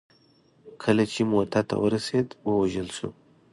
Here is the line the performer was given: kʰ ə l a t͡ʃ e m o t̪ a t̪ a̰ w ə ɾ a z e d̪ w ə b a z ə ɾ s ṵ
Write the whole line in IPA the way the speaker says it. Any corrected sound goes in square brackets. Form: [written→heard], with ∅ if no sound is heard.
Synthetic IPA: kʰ ə l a t͡ʃ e m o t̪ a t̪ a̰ w ə ɾ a [z→s] e d̪ w ə [b→w] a [z→ʒ] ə [ɾ→l] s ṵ